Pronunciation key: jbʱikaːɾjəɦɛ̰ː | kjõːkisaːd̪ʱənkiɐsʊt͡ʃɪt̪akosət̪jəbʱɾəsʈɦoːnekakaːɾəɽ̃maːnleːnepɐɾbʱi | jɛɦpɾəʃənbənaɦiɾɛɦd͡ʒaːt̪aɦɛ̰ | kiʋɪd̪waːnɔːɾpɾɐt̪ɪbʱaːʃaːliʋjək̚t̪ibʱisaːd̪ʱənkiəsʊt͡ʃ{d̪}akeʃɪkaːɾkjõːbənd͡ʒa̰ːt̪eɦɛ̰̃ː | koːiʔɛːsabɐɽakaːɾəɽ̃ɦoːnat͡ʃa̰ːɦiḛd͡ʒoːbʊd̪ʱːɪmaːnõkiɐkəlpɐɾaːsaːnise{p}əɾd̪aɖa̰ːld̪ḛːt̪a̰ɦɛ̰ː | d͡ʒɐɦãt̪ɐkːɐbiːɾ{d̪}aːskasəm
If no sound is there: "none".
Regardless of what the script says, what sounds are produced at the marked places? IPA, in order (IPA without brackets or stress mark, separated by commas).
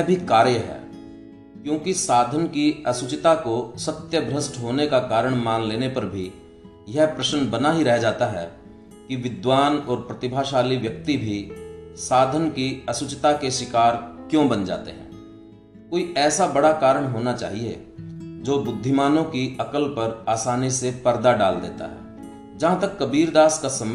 t̪, p, d̪